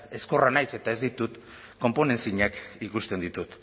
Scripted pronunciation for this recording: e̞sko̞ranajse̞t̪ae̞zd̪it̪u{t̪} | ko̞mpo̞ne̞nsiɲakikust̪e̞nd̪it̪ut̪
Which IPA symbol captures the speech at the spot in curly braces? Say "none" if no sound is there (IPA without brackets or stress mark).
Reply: t̪